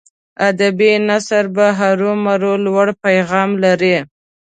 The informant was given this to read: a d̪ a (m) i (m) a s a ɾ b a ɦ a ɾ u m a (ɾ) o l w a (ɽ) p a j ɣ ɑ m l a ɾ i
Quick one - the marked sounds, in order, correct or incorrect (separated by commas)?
incorrect, incorrect, correct, correct